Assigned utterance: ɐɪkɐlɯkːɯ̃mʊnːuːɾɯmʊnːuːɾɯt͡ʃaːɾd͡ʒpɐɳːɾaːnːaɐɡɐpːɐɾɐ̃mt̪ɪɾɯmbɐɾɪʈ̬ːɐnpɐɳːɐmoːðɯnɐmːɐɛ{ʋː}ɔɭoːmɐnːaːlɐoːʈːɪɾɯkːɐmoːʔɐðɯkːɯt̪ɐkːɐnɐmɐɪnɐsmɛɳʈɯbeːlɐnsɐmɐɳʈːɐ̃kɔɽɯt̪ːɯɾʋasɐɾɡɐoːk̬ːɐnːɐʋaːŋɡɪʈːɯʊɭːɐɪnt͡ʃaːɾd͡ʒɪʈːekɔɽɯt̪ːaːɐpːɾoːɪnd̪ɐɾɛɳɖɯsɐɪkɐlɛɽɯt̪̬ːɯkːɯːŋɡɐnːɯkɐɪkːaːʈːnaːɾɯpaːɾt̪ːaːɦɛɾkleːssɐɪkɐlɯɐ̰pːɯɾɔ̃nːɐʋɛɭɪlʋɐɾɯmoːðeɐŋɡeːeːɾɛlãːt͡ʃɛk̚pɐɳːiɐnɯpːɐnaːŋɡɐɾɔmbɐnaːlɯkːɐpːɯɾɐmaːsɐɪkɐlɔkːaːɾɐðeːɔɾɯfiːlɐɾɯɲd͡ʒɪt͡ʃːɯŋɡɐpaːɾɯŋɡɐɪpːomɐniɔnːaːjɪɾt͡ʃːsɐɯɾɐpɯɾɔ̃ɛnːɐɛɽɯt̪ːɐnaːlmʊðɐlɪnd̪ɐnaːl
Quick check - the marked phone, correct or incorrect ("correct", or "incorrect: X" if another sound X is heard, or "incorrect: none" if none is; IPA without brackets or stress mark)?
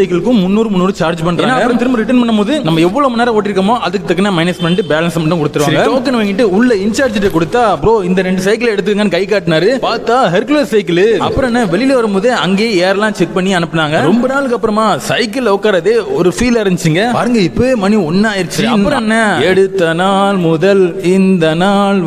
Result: correct